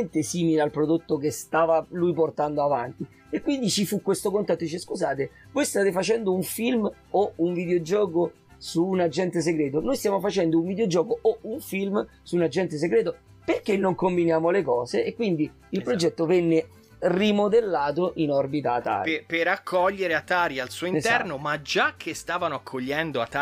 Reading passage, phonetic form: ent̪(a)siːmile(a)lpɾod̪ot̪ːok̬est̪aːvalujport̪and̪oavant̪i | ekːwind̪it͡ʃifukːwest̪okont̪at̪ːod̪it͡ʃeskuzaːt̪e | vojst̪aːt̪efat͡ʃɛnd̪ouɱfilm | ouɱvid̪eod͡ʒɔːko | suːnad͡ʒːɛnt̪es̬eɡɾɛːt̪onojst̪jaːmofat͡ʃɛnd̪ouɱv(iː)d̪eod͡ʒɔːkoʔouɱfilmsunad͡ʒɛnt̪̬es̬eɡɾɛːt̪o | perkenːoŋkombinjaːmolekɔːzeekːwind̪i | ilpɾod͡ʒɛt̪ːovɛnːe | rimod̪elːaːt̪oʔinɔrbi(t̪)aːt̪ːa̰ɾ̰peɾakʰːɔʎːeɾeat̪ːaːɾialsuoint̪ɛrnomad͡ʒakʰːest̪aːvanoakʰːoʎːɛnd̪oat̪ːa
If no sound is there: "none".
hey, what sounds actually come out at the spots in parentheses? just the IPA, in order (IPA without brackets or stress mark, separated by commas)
e, a, i, t̪